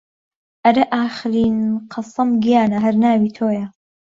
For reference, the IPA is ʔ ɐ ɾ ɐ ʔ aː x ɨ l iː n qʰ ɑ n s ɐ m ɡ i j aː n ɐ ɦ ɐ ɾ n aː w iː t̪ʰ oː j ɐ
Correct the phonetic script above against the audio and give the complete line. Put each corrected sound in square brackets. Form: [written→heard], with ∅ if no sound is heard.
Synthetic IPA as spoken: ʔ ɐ ɾ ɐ ʔ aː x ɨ [l→ɾ] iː n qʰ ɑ [n→∅] s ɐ m ɡ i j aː n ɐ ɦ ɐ ɾ n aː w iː t̪ʰ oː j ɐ